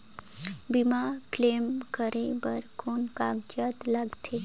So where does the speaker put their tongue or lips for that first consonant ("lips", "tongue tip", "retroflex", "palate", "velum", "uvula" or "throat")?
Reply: lips